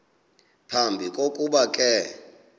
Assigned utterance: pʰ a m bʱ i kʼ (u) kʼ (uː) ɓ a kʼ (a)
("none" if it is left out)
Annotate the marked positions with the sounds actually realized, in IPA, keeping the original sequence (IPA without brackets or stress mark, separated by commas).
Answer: o, u, ɛ